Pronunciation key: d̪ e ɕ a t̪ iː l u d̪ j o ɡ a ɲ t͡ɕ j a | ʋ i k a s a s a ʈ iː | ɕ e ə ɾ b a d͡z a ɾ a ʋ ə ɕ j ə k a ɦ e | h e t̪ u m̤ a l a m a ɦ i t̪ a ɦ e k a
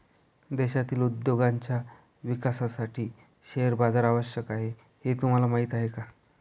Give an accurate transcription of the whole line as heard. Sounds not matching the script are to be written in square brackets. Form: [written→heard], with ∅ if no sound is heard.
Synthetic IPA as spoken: d̪ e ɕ a t̪ iː l u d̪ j o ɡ a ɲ t͡ɕ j a | ʋ i k a s a s a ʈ iː | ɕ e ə ɾ b a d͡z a ɾ a ʋ ə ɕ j ə k a ɦ e | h e t̪ u m̤ a l a m a ɦ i t̪ a ɦ e k a

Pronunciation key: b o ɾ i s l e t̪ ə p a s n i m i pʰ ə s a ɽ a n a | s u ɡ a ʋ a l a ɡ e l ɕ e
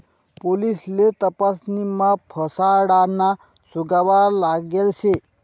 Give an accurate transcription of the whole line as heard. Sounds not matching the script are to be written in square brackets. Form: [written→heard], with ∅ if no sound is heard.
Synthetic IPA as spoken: [b→p] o [ɾ→l] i s l e t̪ ə p a s n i m [i→a] pʰ ə s a ɽ a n a | s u ɡ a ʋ a l a ɡ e l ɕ e

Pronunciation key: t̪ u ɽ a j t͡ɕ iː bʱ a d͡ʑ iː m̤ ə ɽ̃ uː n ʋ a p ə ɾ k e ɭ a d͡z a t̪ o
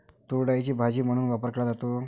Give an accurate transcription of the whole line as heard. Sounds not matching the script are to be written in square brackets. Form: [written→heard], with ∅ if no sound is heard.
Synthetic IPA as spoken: t̪ u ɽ a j t͡ɕ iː bʱ a d͡ʑ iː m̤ ə ɽ̃ uː n ʋ a p ə ɾ k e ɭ a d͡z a t̪ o

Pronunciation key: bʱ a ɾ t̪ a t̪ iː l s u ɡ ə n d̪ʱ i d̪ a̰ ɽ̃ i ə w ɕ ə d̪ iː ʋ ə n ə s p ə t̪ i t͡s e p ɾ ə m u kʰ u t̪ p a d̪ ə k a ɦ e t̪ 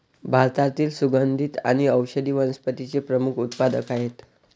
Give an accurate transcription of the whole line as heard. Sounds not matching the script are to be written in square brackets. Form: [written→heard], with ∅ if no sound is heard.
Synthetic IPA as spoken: bʱ a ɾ t̪ a t̪ iː l s u ɡ ə n d̪ʱ i [d̪→t̪] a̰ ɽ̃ i ə w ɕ ə d̪ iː ʋ ə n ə s p ə t̪ i t͡s e p ɾ ə m u kʰ u t̪ p a d̪ ə k a ɦ e t̪

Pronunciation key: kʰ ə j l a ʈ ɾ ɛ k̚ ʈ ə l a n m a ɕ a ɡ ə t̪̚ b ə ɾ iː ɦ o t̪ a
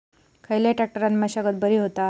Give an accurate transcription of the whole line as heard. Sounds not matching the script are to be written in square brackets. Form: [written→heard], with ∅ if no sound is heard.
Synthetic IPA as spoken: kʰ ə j l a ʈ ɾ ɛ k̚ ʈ ə [l→ɾ] a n m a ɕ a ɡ ə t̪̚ b ə ɾ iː ɦ o t̪ a

